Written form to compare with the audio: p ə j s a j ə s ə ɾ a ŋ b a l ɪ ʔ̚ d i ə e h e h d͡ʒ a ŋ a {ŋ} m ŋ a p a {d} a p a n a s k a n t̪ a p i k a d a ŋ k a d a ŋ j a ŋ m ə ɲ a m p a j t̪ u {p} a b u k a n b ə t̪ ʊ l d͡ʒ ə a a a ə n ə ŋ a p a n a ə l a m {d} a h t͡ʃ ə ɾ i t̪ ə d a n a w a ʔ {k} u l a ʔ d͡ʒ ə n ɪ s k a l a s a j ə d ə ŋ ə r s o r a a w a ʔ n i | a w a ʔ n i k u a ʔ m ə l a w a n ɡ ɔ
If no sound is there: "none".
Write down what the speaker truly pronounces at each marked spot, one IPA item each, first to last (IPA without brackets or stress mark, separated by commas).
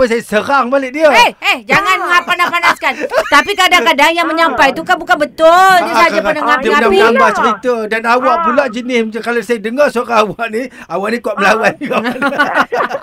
n, n, k, b, p